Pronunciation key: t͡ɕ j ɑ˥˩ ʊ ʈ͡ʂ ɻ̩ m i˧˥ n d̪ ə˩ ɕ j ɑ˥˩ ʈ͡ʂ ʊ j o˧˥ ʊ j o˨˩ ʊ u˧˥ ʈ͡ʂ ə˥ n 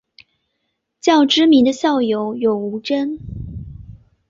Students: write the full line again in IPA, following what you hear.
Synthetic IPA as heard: t͡ɕ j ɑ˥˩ ʊ ʈ͡ʂ ɻ̩ m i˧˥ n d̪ ə˧ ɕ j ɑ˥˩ ʊ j o˧˥ ʊ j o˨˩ ʊ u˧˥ ʈ͡ʂ ə˥ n